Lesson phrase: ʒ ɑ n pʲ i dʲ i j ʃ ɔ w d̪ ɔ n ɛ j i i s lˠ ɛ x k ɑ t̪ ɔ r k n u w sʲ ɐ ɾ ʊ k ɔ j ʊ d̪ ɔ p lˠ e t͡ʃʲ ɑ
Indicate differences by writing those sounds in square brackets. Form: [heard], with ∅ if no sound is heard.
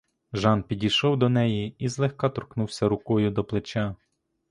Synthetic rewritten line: ʒ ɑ n pʲ i dʲ i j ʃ ɔ w d̪ ɔ n ɛ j i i [z] lˠ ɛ x k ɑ t̪ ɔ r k n u w sʲ ɐ ɾ ʊ k ɔ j ʊ d̪ ɔ p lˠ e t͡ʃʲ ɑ